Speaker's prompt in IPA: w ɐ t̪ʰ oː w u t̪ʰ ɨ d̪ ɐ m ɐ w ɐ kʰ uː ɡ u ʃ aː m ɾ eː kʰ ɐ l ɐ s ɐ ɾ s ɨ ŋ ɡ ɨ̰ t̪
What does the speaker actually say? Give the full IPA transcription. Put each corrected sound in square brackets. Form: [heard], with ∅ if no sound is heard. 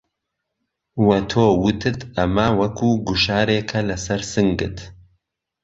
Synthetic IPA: w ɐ t̪ʰ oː w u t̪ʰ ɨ [t̪] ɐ m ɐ w ɐ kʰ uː ɡ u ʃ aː [∅] ɾ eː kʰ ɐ l ɐ s ɐ ɾ s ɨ ŋ ɡ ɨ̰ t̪